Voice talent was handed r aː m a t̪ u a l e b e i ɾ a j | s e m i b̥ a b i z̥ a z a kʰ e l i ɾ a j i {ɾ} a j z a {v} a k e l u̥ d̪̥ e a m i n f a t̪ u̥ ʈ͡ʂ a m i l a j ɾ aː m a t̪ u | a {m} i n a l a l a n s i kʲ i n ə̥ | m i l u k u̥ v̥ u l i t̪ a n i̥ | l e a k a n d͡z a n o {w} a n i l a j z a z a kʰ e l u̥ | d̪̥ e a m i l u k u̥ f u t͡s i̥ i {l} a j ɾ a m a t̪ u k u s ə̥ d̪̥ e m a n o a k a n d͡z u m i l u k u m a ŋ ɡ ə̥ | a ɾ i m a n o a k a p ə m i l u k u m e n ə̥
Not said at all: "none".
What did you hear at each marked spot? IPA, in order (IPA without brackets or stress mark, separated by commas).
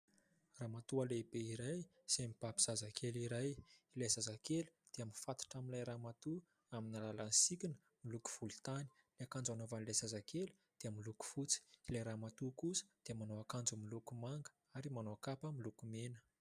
l, z, m, v, l